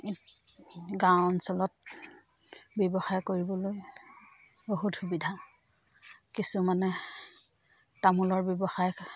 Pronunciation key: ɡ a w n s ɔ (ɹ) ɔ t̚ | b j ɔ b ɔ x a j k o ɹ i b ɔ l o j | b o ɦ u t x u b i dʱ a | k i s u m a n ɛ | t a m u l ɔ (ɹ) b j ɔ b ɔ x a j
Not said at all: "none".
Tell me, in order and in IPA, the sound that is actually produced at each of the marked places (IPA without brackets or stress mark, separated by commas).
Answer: l, ɹ